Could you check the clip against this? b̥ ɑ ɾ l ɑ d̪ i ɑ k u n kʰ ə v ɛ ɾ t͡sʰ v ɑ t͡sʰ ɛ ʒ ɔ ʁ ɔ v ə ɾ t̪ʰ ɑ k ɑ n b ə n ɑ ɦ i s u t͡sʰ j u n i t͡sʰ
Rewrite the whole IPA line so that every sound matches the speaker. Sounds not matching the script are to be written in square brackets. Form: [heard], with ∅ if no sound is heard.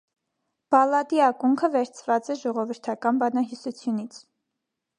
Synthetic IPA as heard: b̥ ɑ [∅] l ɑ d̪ i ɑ k u [ŋ] kʰ ə v ɛ ɾ t͡sʰ v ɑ [t͡s] ɛ ʒ ɔ ʁ ɔ v ə ɾ t̪ʰ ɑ k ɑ n b [ɑ] n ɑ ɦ i s u t͡sʰ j u n i t͡sʰ